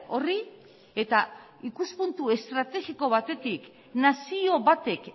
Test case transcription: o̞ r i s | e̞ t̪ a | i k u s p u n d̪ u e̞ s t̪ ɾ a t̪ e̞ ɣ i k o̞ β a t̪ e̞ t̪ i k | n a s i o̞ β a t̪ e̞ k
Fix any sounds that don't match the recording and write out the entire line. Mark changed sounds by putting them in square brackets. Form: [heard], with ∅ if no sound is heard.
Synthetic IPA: o̞ r i [∅] | e̞ t̪ a | i k u s p u n [t̪] u e̞ s t̪ ɾ a t̪ e̞ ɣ i k o̞ β a t̪ e̞ t̪ i k | n a s i o̞ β a t̪ e̞ k

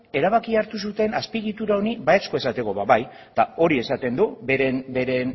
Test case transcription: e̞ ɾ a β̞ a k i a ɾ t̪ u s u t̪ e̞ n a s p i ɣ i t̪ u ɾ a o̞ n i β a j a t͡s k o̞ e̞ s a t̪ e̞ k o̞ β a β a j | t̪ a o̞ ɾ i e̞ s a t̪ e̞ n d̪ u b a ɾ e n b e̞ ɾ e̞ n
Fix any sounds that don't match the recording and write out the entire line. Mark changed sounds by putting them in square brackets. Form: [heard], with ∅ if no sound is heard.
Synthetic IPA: e̞ ɾ a β̞ a k i a ɾ t̪ u s u t̪ e̞ n a s p i ɣ i t̪ u ɾ a o̞ n i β a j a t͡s k o̞ e̞ s a t̪ e̞ k o̞ β a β a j | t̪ a o̞ ɾ i e̞ s a t̪ e̞ n d̪ u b [e] ɾ e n b e̞ ɾ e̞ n

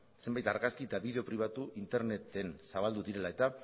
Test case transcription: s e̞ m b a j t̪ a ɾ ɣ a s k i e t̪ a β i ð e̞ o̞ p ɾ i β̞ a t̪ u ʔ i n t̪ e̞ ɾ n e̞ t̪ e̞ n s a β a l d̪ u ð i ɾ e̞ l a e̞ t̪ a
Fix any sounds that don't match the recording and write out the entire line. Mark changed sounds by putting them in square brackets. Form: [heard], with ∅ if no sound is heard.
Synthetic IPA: s e̞ m b a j t̪ a ɾ ɣ a s k i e t̪ a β i ð e̞ o̞ p ɾ i β̞ a t̪ u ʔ i n t̪ e̞ ɾ n e̞ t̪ e̞ n s a β a l d̪ u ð i ɾ e̞ l a e̞ t̪ a

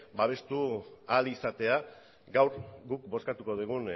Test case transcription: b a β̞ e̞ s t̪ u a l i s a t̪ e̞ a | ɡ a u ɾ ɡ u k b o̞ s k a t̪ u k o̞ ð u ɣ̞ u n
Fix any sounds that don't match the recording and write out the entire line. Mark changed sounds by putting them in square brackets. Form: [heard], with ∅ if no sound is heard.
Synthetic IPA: b a β̞ e̞ s t̪ u a l i s a t̪ e̞ a | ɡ a [w] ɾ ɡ u k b o̞ s k a t̪ u k o̞ ð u ɣ̞ u n

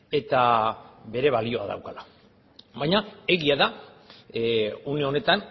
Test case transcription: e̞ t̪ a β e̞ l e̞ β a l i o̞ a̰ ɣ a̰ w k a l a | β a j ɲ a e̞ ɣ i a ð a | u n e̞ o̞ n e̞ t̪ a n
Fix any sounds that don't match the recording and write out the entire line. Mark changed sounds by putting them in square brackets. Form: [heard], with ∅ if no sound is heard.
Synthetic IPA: e̞ t̪ a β e̞ [ɾ] e̞ β a l i o̞ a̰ [ð] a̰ w k a l a | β a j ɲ a e̞ ɣ i a ð a | u n e̞ o̞ n e̞ t̪ a n

